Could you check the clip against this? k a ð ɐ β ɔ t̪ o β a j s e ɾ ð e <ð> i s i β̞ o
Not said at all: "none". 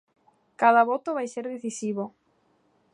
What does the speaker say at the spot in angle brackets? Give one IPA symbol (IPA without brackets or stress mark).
θ